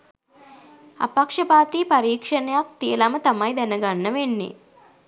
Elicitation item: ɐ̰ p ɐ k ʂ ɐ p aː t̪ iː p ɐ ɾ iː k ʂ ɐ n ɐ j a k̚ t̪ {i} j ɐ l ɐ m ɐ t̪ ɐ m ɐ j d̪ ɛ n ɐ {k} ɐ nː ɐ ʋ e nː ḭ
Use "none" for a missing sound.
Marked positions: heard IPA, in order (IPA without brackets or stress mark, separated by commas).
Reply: i, ɡ